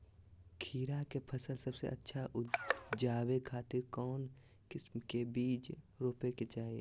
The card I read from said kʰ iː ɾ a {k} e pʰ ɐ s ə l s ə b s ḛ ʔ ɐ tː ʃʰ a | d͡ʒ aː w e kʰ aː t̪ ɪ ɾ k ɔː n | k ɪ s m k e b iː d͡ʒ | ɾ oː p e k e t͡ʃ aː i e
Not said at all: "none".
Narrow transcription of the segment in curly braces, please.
k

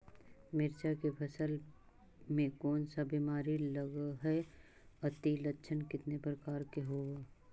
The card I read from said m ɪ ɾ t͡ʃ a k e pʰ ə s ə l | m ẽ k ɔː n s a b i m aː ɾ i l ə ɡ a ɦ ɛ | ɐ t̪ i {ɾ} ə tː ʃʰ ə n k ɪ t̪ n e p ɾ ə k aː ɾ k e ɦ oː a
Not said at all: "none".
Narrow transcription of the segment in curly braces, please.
l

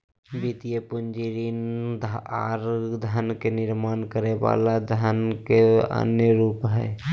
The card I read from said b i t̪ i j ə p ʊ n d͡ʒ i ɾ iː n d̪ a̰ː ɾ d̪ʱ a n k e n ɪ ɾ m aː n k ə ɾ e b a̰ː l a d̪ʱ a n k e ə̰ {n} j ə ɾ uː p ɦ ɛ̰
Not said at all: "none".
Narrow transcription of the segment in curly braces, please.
n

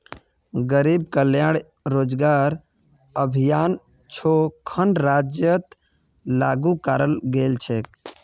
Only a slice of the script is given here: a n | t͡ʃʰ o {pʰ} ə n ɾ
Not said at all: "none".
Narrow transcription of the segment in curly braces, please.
kʰ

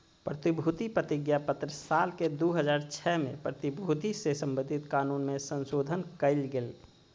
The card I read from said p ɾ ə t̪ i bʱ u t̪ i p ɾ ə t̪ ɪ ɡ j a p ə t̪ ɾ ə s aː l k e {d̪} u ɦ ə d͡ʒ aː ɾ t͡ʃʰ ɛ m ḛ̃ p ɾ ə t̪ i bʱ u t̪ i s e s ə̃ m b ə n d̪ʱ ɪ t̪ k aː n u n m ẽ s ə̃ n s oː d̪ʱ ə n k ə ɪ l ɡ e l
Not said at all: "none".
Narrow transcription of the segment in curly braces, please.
d̪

